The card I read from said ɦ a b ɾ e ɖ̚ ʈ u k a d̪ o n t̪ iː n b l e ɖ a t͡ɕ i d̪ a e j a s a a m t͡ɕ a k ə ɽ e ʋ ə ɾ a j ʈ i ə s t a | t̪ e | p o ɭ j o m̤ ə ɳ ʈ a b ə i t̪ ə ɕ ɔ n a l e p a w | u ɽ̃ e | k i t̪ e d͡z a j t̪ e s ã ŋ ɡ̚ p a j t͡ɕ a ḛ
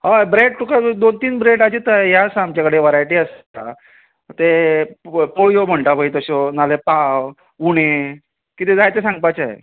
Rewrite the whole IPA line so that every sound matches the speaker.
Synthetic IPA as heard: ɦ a b ɾ e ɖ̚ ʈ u k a d̪ o n t̪ iː n b ɾ e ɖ a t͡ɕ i t̪ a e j a s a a m t͡ɕ a k ə ɽ e ʋ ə ɾ a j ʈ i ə s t a | t̪ e | p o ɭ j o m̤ ə ɳ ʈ a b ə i t̪ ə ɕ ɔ n a l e p a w | u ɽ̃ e | k i t̪ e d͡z a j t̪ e s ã ŋ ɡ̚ p a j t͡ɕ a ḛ